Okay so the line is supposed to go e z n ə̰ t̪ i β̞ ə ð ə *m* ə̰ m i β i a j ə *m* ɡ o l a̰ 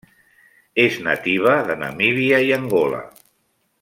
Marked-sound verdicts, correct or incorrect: incorrect: n, incorrect: ŋ

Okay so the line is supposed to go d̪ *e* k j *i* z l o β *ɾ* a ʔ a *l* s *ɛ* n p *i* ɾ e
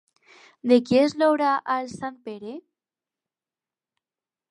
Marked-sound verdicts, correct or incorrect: correct, incorrect: e, correct, correct, incorrect: a, incorrect: e

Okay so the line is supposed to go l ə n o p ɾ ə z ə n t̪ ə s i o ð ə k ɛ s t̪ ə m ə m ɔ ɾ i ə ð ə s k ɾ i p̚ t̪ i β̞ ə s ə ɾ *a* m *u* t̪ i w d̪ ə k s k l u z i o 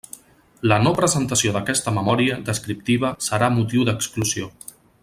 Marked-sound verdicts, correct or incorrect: correct, correct

